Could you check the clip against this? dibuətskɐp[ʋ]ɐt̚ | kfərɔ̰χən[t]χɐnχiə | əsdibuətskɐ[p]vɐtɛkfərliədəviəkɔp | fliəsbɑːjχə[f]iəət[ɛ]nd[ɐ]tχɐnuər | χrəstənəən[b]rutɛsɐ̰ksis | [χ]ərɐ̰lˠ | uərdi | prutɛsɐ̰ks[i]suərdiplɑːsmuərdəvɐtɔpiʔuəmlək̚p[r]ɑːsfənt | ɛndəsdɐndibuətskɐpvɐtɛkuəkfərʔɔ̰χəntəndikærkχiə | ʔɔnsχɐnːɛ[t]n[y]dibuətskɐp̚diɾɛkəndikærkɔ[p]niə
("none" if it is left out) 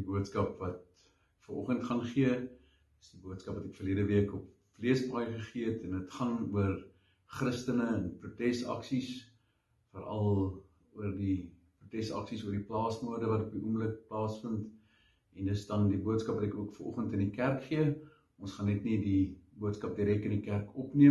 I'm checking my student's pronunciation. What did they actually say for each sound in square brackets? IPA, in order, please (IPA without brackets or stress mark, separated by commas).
v, t, p, χ, ɛ, ə, p, f, i, l, t, i, p